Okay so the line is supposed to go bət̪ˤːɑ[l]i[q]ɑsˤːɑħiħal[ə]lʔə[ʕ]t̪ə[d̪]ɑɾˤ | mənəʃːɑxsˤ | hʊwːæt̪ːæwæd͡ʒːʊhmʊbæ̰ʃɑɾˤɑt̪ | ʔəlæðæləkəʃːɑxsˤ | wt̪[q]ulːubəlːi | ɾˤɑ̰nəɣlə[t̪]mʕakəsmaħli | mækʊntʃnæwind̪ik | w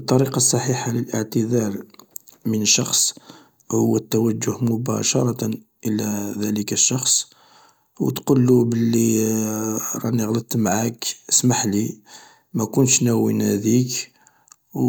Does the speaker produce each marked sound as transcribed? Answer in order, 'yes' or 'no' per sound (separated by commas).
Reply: no, yes, yes, yes, yes, yes, yes